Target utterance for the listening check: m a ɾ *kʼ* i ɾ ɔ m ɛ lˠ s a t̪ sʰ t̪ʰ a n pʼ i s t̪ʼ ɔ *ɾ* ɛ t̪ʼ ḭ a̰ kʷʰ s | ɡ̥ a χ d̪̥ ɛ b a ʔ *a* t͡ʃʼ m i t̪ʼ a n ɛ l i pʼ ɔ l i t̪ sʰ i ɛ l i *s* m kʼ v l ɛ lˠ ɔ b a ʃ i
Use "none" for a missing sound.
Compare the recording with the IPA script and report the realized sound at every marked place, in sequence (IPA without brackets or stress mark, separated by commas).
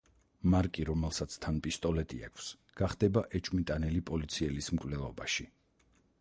kʼ, l, ɛ, s